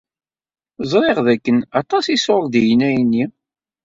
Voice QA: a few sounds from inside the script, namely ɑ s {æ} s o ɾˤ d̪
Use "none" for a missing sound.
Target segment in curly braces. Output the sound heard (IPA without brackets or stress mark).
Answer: i